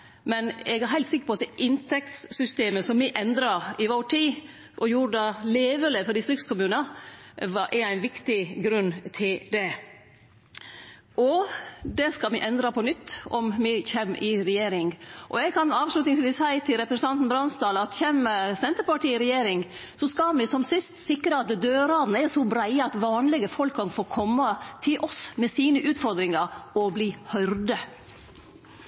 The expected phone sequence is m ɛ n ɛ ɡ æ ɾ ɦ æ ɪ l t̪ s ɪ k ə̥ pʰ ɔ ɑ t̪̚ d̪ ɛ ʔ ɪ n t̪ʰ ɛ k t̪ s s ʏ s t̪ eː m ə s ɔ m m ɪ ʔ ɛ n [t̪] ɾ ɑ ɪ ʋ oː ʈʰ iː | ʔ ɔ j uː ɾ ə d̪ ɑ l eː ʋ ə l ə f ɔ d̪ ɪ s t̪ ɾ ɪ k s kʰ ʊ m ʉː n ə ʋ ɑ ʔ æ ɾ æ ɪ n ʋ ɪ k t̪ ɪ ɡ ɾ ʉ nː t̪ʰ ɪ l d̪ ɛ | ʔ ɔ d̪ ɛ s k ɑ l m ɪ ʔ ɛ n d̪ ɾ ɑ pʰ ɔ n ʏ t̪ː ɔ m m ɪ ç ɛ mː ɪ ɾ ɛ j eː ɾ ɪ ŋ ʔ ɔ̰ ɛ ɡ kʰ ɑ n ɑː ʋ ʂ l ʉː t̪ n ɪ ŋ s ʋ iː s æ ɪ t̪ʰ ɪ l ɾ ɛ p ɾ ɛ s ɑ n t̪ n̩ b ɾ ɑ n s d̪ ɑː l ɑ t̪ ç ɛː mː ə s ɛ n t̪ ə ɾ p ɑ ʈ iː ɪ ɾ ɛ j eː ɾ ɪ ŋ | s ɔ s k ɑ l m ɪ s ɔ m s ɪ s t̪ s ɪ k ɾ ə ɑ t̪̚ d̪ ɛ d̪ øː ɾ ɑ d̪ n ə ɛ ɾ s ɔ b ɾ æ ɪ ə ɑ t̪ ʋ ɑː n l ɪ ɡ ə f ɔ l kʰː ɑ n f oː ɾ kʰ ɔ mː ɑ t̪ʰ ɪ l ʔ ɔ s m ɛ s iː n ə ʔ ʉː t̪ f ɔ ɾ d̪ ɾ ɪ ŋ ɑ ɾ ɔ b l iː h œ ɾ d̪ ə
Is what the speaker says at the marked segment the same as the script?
no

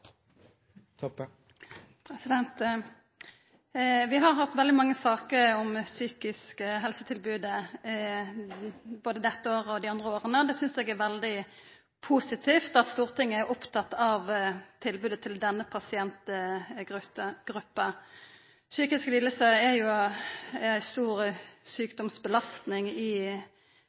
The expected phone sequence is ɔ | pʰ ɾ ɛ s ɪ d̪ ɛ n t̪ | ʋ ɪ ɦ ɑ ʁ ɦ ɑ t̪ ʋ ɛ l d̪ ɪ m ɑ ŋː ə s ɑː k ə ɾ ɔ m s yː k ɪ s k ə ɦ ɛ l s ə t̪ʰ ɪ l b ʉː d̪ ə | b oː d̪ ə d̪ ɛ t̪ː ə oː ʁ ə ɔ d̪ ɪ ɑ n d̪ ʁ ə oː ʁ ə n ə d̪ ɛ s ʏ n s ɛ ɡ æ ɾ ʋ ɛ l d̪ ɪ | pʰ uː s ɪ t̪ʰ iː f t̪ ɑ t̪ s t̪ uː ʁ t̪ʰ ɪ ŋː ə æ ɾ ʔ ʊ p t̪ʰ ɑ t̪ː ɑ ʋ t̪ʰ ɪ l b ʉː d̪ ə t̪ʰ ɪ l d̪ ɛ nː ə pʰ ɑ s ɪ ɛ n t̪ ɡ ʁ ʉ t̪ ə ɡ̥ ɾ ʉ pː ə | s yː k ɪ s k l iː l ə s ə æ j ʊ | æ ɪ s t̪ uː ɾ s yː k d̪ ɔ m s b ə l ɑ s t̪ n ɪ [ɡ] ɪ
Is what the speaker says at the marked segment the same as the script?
no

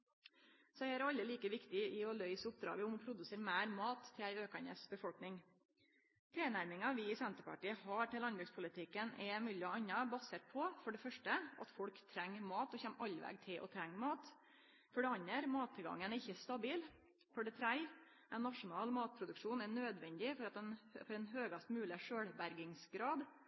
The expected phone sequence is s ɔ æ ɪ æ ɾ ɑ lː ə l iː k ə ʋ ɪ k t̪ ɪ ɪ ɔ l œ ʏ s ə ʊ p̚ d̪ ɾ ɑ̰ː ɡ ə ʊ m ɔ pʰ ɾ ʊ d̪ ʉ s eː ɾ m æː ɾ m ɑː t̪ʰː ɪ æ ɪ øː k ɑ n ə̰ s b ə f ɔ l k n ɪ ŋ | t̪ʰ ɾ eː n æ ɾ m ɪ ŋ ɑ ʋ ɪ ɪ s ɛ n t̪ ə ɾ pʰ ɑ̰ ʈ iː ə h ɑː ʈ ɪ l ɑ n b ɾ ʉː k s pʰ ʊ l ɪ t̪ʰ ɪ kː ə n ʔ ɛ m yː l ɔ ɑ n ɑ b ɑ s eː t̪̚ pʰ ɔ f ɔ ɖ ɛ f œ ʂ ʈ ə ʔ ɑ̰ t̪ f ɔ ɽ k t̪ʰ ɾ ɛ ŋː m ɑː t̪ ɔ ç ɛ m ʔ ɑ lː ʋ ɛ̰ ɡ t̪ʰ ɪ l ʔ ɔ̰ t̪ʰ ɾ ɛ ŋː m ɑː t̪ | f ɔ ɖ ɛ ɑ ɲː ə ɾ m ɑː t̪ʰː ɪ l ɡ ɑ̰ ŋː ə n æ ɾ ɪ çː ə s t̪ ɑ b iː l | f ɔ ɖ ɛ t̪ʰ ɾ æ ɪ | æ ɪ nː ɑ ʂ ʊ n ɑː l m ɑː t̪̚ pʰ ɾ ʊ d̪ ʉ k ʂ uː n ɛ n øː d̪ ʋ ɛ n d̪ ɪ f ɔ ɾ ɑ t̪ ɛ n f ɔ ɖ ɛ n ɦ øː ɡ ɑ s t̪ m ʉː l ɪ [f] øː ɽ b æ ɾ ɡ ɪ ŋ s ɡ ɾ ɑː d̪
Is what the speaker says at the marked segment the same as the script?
no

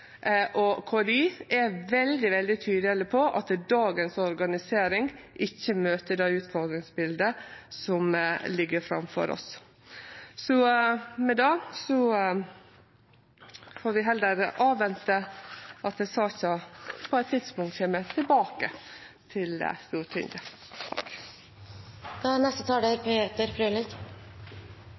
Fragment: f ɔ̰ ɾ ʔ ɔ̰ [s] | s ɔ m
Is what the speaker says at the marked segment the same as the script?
yes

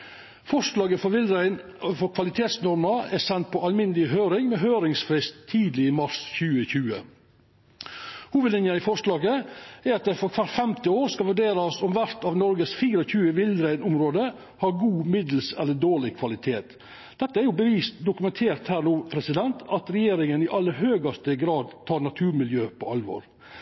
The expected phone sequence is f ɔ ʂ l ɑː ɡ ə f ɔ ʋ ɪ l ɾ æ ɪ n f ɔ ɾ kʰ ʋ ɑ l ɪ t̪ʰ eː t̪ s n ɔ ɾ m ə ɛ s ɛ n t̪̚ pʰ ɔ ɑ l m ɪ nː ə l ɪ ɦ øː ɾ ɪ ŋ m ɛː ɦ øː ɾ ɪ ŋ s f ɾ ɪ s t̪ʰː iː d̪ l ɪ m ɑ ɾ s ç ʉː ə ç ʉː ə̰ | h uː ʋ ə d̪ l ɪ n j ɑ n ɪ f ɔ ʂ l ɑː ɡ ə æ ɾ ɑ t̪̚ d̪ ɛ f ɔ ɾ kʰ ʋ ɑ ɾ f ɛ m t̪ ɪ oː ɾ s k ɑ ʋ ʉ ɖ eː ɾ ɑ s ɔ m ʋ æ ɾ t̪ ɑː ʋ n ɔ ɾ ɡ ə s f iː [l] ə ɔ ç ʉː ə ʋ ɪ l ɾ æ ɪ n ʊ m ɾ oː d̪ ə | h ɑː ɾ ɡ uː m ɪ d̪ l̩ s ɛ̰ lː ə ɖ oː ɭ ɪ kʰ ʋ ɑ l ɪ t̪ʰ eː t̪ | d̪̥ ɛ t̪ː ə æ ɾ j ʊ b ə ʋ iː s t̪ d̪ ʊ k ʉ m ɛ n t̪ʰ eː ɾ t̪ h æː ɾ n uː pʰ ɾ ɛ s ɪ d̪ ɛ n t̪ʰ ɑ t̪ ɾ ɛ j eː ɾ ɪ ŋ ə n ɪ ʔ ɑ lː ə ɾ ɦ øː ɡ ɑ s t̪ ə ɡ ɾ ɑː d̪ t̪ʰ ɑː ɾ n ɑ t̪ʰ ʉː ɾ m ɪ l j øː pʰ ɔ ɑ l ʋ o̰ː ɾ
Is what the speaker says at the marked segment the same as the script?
no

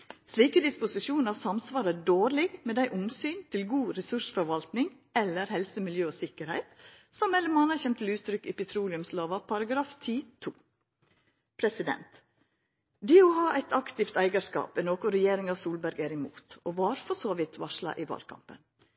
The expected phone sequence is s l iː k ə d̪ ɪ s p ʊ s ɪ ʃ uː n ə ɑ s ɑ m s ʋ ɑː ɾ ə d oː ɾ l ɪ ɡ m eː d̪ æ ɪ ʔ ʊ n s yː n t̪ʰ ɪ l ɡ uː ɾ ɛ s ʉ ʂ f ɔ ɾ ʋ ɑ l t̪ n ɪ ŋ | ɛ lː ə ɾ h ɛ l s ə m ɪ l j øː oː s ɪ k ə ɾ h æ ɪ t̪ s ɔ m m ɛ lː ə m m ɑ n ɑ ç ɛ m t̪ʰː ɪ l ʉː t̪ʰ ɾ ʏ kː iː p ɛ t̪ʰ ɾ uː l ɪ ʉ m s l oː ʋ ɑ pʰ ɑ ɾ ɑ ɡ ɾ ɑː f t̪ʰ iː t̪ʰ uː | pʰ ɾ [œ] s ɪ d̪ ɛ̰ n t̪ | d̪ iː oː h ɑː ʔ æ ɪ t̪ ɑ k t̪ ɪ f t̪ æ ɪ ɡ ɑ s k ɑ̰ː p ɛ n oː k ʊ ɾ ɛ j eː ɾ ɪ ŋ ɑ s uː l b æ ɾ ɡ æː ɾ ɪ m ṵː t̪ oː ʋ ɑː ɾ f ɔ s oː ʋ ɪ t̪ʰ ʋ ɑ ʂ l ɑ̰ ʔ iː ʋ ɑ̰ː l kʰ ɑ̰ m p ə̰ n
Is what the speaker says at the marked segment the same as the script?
no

